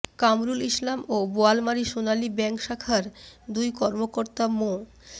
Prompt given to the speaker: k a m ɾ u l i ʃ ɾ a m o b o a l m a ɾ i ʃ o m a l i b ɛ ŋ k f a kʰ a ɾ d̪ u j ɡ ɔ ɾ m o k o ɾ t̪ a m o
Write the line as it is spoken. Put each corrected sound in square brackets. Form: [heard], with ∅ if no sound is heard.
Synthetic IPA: k a m ɾ u l i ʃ [l] a m o b o a l m a ɾ i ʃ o [n] a l i b ɛ ŋ k [ʃ] a kʰ a ɾ d̪ u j [k] ɔ ɾ m o k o ɾ t̪ a m o